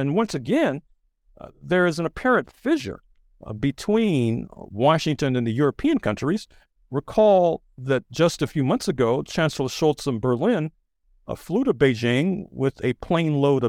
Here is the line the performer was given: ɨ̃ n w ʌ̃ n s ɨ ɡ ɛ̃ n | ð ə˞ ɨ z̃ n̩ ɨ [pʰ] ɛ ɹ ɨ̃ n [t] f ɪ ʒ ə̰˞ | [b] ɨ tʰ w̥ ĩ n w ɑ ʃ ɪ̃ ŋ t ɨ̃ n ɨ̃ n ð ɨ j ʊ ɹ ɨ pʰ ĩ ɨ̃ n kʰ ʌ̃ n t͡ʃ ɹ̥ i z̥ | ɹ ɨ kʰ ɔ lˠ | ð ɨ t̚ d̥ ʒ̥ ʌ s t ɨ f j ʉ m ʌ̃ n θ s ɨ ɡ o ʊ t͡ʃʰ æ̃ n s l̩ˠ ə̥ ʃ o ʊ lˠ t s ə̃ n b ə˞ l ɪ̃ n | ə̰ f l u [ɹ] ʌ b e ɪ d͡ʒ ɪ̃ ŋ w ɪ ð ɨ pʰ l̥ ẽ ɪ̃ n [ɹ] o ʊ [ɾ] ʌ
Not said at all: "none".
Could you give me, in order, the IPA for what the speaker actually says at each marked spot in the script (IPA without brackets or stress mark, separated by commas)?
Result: pʰ, t, b, ɾ, l, ɾ